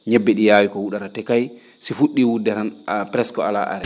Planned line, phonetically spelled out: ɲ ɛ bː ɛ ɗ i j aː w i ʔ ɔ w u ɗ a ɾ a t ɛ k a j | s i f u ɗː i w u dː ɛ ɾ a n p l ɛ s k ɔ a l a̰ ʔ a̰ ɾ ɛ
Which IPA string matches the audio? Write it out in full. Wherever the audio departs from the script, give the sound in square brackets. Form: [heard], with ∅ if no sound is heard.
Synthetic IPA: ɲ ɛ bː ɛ ɗ i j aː w i [k] ɔ w u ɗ a ɾ a t ɛ k a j | s i f u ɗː i w u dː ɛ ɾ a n p [ɾ] ɛ s k ɔ a l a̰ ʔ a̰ ɾ ɛ